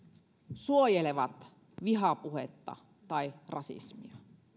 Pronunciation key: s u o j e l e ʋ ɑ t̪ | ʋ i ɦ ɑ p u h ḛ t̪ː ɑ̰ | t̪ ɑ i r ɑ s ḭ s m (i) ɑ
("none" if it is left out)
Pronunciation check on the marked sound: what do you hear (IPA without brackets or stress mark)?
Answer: i